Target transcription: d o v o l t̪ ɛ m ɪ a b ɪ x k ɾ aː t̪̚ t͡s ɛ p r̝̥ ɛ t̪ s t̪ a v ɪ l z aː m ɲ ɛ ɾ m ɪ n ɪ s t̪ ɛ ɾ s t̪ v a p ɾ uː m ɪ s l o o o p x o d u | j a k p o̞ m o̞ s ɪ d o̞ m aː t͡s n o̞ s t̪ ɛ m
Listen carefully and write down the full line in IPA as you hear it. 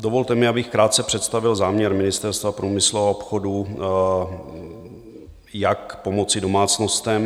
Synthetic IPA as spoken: d o v o l t̪ ɛ m ɪ a b ɪ x k ɾ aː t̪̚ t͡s ɛ p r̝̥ ɛ t̪ s t̪ a v ɪ l z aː m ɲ ɛ ɾ m ɪ n ɪ s t̪ ɛ ɾ s t̪ v a p ɾ uː m ɪ s l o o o p x o d u | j a k p o̞ m o̞ t͡s ɪ d o̞ m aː t͡s n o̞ s t̪ ɛ m